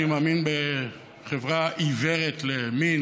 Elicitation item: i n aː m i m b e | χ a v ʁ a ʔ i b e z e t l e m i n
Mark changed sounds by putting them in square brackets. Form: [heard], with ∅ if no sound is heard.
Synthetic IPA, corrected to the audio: i [m] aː m i [n] b e | χ [e] v ʁ a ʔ i [v] e [ʁ] e t l e m i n